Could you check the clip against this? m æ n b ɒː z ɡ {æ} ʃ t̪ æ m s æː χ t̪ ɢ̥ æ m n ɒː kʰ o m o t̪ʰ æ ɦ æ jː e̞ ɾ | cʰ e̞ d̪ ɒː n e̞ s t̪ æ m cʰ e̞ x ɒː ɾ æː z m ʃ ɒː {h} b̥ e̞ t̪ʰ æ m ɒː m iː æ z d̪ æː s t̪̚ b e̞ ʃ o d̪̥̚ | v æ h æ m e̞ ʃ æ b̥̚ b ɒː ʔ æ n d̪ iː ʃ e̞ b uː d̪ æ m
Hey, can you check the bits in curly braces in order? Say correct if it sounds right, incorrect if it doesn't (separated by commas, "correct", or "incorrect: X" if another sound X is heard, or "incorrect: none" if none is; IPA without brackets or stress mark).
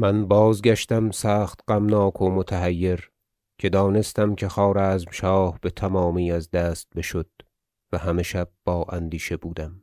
correct, correct